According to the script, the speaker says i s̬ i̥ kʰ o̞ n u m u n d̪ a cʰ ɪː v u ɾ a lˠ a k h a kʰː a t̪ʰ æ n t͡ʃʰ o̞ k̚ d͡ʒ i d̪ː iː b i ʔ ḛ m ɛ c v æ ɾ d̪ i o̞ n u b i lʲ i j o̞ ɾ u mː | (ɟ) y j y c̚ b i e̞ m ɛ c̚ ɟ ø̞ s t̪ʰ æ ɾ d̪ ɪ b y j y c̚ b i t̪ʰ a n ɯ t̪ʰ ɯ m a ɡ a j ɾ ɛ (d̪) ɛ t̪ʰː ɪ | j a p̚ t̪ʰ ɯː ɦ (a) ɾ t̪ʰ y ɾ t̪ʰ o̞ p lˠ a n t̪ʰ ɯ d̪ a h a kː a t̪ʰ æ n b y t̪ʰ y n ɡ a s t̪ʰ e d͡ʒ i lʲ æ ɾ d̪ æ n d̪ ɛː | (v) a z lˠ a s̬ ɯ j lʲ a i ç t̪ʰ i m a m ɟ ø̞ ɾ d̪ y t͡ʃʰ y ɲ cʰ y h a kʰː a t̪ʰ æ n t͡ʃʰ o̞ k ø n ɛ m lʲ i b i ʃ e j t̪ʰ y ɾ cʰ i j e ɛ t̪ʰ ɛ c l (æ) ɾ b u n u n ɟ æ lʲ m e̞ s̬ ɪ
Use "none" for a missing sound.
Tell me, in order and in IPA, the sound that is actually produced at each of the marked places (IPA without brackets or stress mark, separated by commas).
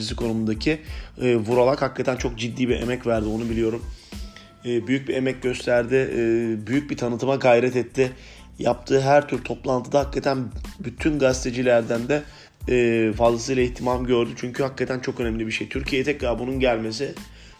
b, t̪, æ, f, a